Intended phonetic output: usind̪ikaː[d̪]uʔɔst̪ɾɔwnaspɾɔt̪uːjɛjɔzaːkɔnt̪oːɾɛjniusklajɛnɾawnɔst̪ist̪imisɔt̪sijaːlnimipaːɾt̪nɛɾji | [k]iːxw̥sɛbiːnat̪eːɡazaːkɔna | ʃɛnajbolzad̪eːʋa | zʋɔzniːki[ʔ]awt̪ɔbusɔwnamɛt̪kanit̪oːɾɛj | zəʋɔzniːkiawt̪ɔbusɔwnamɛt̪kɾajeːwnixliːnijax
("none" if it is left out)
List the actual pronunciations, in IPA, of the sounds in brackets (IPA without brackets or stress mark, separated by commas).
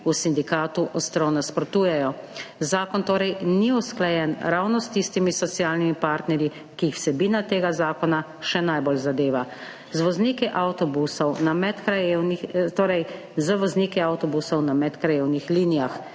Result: t̪, k, ʔ